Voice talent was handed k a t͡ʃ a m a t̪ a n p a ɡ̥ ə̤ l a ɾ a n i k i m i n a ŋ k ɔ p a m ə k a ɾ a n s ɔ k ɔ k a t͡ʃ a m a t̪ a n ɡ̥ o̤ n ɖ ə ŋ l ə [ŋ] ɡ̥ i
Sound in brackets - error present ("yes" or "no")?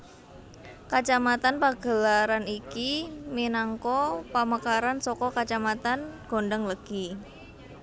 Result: yes